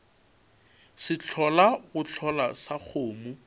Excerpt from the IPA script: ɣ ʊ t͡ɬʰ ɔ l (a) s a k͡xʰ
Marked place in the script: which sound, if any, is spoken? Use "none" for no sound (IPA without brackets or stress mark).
a